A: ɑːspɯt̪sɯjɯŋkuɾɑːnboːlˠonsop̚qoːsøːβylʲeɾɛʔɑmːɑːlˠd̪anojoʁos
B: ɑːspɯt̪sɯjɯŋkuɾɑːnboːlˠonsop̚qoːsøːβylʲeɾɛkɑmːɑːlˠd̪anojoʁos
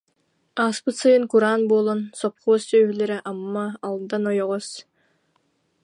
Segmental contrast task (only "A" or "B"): A